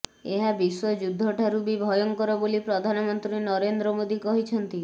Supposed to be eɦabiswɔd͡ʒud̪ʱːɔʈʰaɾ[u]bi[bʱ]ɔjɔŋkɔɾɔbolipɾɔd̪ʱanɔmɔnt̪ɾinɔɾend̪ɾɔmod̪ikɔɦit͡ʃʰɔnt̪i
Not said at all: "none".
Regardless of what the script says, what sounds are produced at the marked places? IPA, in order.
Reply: u, bʱ

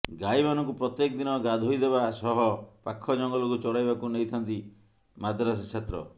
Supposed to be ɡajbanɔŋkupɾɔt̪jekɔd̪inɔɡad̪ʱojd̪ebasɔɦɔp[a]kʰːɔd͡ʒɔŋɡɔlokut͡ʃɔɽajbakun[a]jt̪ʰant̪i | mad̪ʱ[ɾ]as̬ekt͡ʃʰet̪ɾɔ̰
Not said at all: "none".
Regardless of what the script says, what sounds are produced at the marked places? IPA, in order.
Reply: a, e, ɾ

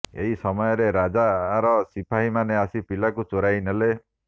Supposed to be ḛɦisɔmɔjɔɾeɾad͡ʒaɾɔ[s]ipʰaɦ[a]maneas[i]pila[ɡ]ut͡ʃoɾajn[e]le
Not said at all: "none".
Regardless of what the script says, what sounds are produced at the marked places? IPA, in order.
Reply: s, i, i, k, e

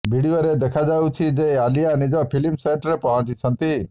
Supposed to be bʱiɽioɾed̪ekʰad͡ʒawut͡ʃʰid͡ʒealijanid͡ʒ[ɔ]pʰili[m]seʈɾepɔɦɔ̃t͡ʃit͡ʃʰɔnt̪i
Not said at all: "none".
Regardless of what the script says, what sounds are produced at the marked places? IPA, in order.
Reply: ɔ, m

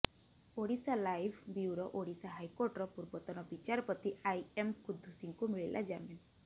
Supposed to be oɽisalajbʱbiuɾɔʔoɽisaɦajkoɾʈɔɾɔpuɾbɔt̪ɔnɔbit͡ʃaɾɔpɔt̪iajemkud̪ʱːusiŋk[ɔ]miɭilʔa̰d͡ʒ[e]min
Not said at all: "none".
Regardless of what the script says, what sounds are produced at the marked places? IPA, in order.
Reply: u, a

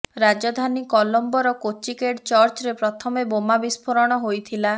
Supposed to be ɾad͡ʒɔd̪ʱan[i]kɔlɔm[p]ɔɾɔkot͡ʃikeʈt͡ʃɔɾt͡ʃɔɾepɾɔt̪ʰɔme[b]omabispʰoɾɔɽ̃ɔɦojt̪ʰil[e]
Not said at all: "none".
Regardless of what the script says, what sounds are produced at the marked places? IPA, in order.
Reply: i, b, b, a

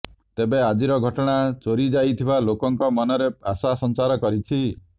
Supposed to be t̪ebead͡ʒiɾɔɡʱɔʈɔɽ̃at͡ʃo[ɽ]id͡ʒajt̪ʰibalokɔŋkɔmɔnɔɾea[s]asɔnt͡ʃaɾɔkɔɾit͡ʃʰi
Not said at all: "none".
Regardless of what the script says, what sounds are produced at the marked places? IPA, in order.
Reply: ɾ, s

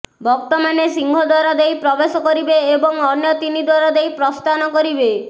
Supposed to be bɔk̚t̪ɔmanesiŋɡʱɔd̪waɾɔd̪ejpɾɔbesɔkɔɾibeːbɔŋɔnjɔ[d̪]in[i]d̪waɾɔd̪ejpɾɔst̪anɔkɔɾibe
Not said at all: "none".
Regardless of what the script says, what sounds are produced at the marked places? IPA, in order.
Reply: t̪, i

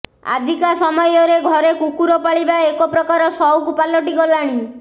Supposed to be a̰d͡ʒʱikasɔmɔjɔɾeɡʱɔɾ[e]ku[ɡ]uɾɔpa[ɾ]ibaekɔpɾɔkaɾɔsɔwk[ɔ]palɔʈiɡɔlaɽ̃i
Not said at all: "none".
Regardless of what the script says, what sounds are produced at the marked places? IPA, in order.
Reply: e, k, ɭ, u

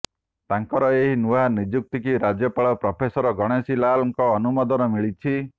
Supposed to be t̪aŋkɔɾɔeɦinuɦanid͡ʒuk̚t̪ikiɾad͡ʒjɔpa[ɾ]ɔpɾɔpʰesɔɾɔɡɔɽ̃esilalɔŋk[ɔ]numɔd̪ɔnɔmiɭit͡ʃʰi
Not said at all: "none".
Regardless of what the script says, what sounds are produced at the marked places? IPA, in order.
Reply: ɭ, ɔː

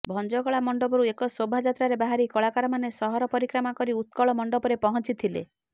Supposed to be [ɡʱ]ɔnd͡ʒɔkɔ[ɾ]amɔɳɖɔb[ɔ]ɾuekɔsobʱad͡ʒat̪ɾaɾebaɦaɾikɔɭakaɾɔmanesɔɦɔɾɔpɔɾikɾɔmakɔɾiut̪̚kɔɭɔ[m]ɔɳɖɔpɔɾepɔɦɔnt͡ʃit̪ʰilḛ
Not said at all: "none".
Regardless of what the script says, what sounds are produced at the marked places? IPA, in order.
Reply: bʱ, ɭ, ɔ, m

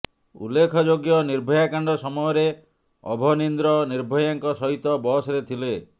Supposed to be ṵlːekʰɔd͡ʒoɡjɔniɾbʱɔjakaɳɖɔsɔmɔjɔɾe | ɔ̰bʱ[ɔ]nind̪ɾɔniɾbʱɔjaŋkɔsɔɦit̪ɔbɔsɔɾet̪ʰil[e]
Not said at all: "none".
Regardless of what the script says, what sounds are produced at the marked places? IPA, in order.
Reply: ɔ, e

